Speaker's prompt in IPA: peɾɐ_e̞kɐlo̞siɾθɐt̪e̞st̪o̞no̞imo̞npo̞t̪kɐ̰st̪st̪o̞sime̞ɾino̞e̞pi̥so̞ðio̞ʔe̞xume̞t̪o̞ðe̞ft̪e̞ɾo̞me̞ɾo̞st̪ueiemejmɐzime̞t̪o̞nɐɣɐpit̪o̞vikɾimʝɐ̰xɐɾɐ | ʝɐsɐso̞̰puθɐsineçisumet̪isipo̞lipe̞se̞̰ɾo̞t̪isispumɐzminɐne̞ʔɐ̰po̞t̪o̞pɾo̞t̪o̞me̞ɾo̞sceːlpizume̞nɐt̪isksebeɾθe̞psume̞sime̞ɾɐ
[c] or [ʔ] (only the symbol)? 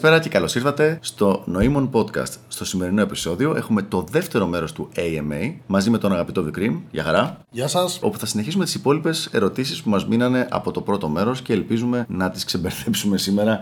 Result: c